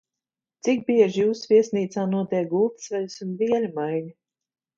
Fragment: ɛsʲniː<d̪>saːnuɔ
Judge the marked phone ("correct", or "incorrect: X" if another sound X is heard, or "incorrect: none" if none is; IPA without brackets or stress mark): incorrect: t̪